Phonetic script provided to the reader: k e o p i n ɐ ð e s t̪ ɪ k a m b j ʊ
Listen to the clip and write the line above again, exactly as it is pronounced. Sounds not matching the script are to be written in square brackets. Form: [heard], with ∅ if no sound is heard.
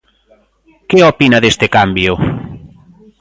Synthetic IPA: k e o p i n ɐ ð e s t̪ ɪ k a m b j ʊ